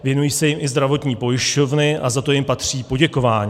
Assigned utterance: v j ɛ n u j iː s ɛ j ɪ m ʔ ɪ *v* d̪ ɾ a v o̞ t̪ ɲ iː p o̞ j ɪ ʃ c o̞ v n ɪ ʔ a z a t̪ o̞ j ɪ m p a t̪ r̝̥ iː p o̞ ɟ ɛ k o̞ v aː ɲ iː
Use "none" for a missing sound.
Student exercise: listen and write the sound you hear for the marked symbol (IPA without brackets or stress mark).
z